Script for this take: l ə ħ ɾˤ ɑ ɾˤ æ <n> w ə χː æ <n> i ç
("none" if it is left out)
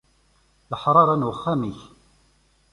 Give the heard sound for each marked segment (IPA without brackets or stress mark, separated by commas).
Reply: n, m